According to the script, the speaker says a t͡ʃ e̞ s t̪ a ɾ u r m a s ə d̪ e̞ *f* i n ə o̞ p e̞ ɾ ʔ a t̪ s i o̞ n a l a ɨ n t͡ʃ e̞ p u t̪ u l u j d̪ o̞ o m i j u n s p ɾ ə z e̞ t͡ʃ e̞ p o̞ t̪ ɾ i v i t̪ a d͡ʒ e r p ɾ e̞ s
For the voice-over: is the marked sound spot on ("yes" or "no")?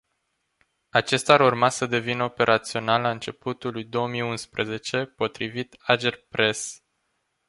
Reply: no